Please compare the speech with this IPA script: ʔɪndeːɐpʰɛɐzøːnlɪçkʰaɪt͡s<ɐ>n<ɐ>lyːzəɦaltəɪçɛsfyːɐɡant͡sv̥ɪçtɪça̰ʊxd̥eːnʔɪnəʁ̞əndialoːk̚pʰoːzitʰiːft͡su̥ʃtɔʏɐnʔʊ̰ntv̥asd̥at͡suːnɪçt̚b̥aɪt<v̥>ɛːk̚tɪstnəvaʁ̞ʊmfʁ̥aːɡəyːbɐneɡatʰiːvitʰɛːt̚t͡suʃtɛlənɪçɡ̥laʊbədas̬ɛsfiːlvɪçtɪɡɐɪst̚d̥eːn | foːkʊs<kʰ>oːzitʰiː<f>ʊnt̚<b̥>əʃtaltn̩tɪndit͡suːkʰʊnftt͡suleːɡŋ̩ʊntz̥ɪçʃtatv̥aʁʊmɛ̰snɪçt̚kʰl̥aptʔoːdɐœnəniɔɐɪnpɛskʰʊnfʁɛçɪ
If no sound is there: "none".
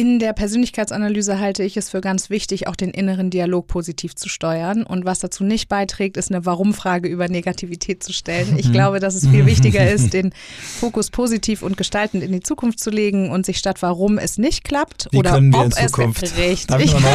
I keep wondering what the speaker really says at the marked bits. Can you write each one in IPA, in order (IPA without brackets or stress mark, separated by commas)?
a, a, ʁ̥, pʰ, f, ɡ̥